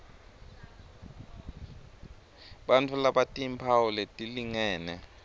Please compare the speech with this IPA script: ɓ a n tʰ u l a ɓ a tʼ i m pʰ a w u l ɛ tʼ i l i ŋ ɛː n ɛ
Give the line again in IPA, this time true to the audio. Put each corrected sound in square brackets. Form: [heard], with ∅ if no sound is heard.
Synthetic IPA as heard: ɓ a n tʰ u l a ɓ a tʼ i m pʰ a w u l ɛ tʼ i l i ŋ ɛː n ɛ